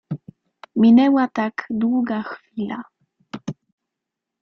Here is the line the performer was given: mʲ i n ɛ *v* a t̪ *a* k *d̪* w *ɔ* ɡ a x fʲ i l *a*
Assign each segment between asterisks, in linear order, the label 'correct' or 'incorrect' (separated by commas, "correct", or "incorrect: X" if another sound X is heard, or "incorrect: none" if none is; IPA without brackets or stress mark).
incorrect: w, correct, correct, incorrect: u, correct